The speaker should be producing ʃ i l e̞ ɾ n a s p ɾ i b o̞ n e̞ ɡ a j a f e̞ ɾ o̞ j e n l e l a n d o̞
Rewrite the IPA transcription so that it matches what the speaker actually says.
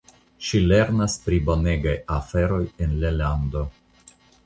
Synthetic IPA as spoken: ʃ i l e̞ ɾ n a s p ɾ i b o̞ n e̞ ɡ a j a f e̞ ɾ o̞ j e n l e l a n d o̞